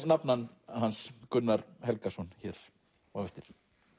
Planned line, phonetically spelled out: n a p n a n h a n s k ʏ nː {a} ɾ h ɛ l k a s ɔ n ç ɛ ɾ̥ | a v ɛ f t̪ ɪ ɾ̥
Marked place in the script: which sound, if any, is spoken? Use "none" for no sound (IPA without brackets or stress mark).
a